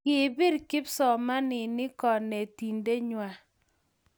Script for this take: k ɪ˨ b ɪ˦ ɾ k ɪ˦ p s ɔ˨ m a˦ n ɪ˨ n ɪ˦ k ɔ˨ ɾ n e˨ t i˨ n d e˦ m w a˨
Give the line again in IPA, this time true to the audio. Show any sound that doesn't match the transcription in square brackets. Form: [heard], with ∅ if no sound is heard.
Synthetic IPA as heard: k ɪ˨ b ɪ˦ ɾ k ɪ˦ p s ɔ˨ m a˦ n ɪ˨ n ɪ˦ k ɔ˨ [∅] n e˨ t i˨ n d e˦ [ɲ] w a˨